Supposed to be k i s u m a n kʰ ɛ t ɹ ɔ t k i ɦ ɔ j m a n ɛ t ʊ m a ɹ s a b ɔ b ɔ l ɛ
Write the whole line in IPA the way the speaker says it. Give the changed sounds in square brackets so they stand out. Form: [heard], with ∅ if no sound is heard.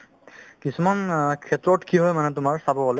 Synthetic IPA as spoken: k i s u m a n kʰ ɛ t ɹ ɔ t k i ɦ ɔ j m a n ɛ t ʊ m a ɹ s a b ɔ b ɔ l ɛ